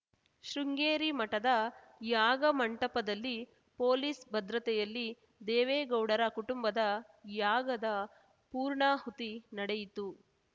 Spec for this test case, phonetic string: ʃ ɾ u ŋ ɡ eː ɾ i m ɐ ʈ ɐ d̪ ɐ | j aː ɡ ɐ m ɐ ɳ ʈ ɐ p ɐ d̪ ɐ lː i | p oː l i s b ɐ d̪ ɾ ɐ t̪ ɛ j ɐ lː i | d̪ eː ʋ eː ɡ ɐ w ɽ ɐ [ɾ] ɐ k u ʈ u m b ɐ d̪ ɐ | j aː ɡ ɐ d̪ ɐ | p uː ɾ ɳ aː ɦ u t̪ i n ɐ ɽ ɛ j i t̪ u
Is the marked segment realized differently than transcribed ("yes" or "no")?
no